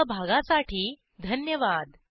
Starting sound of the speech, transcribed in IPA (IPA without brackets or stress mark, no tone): bʱ